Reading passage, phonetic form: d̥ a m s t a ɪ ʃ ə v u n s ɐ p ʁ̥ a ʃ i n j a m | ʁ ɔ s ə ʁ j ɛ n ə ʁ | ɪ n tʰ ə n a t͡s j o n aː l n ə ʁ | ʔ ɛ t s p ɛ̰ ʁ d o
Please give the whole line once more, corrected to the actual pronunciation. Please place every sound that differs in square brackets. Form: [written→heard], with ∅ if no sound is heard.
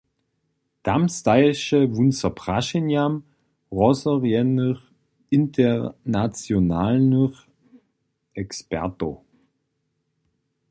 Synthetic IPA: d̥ a m s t a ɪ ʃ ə v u n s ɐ p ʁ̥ a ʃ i n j a m | ʁ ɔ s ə ʁ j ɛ n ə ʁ | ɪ n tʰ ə n a t͡s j o n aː l n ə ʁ | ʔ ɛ [t→k] s p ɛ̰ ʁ [d→t] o